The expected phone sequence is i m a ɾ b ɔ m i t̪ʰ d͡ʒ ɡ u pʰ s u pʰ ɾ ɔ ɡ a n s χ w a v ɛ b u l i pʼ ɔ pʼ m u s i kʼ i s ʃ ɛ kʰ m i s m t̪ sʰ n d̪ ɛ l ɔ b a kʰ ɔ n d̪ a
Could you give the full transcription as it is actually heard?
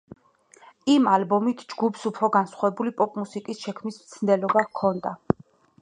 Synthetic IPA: i m a l b ɔ m i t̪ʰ d͡ʒ ɡ u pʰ s u pʰ ɾ ɔ ɡ a n s χ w a v ɛ b u l i pʼ ɔ pʼ m u s i kʼ i s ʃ ɛ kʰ m i s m t̪ sʰ n d̪ ɛ l ɔ b a kʰ ɔ n d̪ a